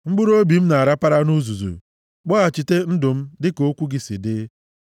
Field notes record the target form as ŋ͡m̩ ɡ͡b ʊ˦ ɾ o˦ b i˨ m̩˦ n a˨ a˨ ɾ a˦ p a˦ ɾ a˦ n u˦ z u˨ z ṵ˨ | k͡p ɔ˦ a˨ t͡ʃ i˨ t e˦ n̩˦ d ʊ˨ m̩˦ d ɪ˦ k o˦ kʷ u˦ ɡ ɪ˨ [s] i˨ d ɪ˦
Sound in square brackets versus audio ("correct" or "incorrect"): correct